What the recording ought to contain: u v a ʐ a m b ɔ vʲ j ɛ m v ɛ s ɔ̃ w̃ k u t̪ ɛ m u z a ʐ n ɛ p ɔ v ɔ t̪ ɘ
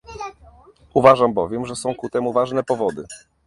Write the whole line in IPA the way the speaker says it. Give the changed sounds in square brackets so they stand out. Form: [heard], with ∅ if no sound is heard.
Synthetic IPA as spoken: u v a ʐ a m b ɔ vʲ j ɛ m [ʐ] ɛ s ɔ̃ w̃ k u t̪ ɛ m u [v] a ʐ n ɛ p ɔ v ɔ [d̪] ɘ